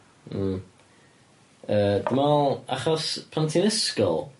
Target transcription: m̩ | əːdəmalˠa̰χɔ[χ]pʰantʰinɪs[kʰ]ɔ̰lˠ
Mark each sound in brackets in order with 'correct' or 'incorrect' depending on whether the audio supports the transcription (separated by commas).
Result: incorrect, incorrect